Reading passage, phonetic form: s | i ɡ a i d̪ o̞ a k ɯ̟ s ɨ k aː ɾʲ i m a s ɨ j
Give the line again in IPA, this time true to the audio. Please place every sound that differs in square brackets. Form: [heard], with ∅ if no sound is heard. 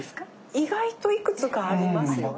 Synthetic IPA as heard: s | i ɡ a i [t̪] o̞ [i] k ɯ̟ [t͡s] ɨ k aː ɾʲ i m a s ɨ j